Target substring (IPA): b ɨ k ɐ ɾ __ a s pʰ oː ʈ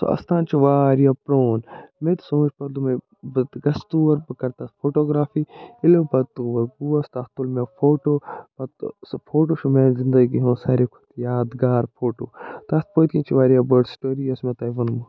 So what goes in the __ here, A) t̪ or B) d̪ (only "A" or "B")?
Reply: A